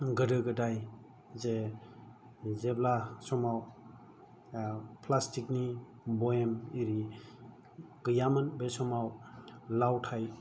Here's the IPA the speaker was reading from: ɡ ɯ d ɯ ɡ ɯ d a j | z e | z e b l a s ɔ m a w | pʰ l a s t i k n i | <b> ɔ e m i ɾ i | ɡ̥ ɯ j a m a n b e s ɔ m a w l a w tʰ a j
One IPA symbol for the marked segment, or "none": b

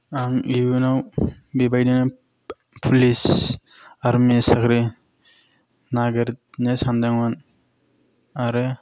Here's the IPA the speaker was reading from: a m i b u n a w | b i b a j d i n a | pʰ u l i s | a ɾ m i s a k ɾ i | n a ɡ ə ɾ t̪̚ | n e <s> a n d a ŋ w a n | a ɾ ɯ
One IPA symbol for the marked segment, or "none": s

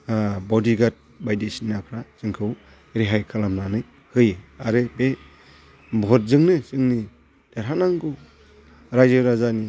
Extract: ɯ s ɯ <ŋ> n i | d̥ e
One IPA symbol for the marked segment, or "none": ŋ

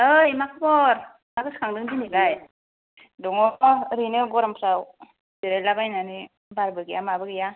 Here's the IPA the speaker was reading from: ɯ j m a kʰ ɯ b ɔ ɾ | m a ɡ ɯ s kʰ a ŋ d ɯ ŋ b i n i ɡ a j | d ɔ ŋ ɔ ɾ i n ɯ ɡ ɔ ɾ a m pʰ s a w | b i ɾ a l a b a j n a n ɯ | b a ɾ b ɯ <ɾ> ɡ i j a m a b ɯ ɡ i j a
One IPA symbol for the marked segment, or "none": none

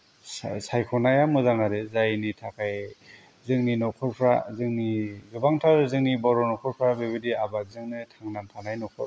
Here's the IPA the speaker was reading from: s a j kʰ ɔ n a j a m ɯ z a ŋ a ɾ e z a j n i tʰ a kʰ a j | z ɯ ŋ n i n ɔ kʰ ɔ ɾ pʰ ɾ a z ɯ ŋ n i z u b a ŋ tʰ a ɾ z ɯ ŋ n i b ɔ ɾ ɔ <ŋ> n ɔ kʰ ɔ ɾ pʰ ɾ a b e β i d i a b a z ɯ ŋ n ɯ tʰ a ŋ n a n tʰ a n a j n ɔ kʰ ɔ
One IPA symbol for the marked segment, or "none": none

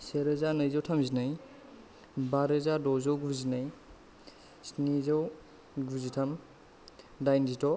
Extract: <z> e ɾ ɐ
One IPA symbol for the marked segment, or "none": s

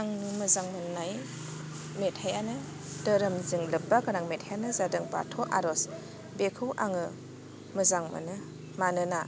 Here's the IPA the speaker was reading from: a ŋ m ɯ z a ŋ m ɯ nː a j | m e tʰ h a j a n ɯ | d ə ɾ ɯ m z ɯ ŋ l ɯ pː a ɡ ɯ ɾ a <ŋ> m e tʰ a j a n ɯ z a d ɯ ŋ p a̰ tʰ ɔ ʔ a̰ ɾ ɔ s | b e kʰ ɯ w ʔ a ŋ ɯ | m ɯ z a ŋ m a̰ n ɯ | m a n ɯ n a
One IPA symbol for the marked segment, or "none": ŋ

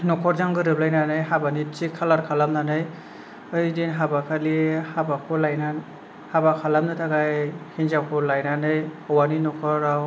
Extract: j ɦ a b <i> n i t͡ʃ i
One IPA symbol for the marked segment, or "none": a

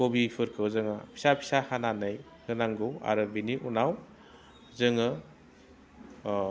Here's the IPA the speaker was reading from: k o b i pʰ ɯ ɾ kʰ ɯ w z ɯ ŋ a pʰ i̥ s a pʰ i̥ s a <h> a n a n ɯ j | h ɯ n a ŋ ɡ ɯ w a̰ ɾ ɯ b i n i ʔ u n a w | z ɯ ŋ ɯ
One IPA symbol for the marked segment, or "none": h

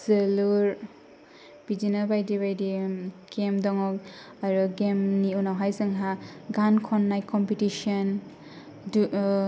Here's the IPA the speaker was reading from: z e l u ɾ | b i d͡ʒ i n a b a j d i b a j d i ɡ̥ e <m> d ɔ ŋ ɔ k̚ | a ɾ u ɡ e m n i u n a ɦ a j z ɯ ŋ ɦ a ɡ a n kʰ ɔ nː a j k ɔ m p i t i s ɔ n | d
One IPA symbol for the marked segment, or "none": m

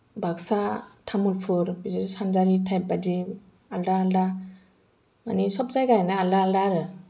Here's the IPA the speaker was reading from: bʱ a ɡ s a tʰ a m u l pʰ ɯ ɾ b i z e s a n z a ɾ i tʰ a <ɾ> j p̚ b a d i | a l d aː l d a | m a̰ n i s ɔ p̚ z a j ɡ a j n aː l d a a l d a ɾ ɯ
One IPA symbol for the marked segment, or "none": none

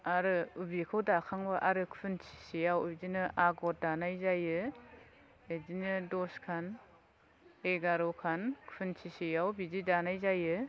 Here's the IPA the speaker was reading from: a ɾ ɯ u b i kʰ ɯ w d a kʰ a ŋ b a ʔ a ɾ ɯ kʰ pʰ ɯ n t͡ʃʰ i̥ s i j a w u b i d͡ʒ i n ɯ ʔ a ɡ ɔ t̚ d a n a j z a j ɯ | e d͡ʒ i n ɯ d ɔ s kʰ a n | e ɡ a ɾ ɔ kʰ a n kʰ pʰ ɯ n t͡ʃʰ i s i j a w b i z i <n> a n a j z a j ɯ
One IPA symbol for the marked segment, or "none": d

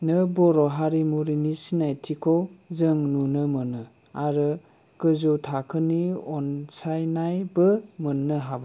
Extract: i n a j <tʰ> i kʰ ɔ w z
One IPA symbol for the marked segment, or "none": tʰ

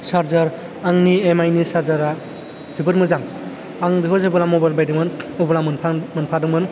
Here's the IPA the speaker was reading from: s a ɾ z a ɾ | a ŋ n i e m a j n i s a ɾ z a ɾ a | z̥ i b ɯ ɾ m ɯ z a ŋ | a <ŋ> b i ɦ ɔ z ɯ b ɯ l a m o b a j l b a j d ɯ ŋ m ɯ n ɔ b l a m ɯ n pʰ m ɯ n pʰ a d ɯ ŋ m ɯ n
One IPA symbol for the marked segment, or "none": ŋ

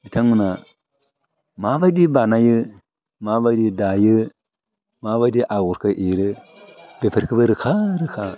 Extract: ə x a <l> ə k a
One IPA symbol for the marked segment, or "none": ɾ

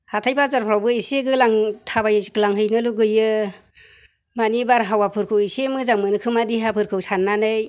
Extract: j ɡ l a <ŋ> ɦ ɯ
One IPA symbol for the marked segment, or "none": ŋ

